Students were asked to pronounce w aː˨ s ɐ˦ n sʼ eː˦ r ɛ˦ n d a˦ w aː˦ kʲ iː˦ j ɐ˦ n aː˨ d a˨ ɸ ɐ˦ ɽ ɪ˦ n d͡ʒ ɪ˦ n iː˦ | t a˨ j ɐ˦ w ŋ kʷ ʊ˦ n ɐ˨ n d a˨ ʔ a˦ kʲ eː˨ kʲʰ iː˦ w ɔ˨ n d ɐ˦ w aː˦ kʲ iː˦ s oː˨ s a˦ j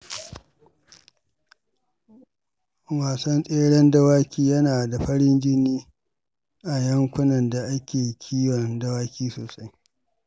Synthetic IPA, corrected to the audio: w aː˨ s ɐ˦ n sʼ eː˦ ɽ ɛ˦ n d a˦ w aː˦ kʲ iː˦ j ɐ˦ n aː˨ d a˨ ɸ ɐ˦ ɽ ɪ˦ n d͡ʒ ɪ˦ n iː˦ | ʔ a˨ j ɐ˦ ŋ kʷ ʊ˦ n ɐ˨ n d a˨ ʔ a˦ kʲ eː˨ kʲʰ iː˦ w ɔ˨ n d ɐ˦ w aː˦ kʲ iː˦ s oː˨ s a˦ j

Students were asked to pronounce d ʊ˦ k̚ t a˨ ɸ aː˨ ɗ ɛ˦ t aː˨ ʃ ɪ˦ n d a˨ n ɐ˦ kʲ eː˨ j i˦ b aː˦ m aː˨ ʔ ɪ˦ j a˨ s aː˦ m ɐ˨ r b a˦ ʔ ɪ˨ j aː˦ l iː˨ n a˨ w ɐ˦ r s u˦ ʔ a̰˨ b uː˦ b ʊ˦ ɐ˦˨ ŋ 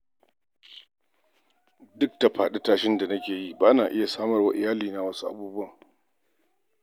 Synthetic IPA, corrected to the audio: d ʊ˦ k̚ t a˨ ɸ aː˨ ɗ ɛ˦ t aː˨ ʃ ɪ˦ n d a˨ n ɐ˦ kʲ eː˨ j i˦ b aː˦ n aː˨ ʔ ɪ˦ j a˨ s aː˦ m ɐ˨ r w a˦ ʔ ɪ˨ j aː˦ l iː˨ n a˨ w ɐ˦ s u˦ ʔ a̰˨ b uː˦ b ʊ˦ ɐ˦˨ ŋ

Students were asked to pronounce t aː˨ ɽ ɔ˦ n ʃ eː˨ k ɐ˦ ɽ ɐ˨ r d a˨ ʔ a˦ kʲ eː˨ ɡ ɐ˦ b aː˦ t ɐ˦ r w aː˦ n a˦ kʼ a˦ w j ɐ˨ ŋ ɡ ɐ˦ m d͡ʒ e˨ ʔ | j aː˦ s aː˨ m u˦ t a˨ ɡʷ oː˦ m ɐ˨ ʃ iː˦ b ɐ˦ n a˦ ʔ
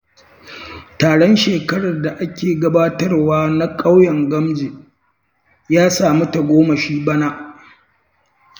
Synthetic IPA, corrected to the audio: t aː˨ ɽ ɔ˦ n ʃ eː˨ k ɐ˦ ɽ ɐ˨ r d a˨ ʔ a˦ kʲ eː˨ ɡ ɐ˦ b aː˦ t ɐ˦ r w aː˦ n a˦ kʼ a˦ w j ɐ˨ ŋ ɡ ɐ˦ m d͡ʒ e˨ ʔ | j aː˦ s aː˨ m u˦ t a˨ ɡʷ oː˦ m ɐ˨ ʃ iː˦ b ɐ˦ n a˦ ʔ

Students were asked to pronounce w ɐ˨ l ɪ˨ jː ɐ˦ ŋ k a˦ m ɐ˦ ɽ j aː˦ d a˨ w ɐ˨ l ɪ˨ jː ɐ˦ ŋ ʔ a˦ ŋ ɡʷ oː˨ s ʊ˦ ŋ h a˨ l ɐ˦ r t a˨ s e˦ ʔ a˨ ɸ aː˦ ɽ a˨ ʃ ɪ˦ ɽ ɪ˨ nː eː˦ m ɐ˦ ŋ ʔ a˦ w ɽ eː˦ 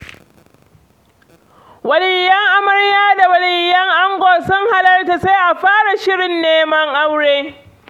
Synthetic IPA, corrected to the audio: w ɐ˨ l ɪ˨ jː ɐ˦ ŋ ʔ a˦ m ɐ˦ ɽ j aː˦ d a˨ w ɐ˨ l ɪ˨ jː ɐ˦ ŋ ʔ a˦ ŋ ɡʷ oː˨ s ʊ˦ ŋ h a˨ l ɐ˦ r t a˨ s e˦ ʔ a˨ ɸ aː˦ ɽ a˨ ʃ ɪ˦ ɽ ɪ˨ nː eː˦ m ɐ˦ ŋ ʔ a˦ w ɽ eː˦

